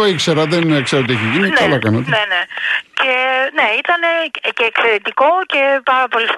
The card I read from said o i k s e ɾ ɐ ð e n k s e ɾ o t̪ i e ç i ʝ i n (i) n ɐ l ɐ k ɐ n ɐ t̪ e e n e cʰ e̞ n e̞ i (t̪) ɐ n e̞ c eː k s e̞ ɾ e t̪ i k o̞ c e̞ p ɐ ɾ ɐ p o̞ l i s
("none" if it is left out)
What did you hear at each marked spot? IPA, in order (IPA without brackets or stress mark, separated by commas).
i, t̪